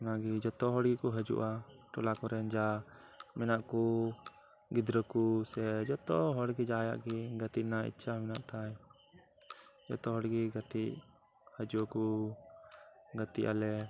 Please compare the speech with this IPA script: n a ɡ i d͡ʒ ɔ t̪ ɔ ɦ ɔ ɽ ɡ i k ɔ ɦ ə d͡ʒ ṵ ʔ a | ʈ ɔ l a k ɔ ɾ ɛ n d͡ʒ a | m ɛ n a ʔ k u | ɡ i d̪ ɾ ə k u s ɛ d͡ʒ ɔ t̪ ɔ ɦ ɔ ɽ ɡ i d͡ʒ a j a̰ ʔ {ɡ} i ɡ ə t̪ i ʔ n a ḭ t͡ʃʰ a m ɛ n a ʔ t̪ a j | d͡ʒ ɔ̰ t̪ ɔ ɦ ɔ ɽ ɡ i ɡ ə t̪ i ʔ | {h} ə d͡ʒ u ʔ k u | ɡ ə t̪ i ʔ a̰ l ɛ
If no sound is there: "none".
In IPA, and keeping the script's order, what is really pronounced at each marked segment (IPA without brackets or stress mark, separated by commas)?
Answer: ɡ, h